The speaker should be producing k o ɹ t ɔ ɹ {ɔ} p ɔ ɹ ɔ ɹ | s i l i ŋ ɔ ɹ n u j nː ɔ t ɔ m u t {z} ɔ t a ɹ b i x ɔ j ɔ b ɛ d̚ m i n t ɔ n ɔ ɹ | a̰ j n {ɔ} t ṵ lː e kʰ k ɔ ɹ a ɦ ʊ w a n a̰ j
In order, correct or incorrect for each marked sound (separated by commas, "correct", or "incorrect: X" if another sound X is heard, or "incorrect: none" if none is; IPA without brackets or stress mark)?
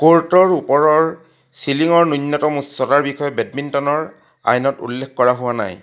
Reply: incorrect: u, incorrect: s, correct